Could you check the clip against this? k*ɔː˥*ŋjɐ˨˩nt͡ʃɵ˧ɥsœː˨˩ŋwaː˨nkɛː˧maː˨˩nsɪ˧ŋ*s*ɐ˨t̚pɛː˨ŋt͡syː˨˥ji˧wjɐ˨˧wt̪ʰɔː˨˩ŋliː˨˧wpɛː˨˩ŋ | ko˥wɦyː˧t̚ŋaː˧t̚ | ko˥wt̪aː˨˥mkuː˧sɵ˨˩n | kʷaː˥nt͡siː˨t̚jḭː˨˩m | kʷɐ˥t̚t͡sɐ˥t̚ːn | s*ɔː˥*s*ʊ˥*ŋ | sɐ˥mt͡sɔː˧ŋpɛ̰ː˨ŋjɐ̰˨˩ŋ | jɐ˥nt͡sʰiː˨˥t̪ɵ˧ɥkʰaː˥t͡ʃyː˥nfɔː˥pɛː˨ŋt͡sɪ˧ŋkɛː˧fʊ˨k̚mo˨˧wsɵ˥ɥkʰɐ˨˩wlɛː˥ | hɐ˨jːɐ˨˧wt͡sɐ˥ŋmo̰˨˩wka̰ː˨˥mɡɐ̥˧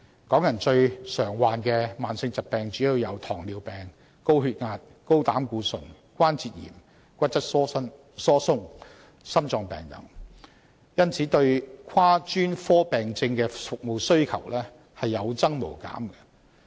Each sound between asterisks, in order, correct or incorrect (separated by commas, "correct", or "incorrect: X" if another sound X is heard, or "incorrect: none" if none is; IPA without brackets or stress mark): incorrect: ɔː˨˥, incorrect: t͡s, correct, correct